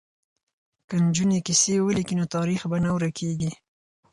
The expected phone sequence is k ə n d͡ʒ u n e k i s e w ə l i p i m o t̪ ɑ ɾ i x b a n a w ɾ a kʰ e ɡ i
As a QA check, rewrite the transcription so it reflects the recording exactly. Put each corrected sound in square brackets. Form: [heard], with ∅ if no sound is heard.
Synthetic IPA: k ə n d͡ʒ u n e k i s e w ə l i [k] i [n] o t̪ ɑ ɾ i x b a n a w ɾ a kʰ e ɡ i